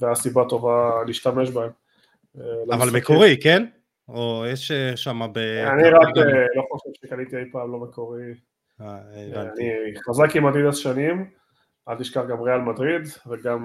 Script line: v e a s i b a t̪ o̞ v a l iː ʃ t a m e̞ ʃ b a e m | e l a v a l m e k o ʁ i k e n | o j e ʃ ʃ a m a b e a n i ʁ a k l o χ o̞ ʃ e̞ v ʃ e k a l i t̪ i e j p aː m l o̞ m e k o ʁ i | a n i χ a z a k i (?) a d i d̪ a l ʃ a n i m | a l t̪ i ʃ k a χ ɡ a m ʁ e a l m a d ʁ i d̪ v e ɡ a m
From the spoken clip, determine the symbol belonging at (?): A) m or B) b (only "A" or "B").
A